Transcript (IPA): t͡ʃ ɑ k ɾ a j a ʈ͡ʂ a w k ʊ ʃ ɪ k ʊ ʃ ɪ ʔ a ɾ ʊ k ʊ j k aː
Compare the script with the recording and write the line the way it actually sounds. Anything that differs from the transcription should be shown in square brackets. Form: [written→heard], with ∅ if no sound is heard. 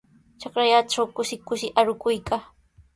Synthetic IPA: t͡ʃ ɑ k ɾ a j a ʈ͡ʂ a w k ʊ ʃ ɪ k ʊ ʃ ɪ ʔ a ɾ ʊ k ʊ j k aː